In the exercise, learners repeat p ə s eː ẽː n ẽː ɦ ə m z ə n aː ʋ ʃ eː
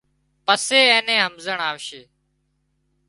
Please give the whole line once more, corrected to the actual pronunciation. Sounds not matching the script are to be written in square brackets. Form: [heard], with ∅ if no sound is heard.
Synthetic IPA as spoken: p ə s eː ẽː n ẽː ɦ ə m z ə [ɳ] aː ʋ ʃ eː

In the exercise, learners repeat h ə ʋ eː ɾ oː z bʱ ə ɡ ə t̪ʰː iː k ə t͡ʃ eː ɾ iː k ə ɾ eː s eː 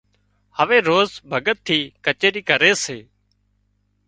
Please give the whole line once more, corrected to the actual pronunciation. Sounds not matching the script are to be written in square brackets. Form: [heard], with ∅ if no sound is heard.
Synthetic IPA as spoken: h ə ʋ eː ɾ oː z bʱ ə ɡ ə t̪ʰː iː k ə t͡ʃ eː ɾ iː k ə ɾ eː s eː

